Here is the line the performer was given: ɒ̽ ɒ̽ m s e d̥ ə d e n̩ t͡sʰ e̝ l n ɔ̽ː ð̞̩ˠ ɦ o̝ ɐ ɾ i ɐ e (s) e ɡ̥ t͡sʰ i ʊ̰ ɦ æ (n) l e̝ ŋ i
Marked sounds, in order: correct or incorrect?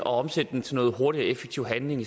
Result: incorrect, correct

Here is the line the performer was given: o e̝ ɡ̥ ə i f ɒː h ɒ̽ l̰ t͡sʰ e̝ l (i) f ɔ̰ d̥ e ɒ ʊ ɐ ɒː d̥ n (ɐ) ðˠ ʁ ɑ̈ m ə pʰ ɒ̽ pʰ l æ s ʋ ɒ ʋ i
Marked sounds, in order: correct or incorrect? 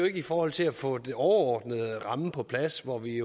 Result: incorrect, incorrect

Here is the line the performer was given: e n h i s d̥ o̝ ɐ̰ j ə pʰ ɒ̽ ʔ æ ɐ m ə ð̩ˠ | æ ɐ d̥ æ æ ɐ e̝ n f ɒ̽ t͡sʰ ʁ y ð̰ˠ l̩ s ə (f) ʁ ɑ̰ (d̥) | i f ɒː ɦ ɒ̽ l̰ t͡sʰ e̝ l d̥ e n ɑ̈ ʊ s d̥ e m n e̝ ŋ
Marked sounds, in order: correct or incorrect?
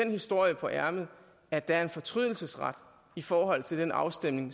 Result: incorrect, correct

